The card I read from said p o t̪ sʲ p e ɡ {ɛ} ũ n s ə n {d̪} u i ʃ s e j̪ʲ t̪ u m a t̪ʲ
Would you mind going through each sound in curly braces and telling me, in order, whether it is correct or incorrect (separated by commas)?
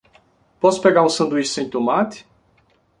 incorrect, correct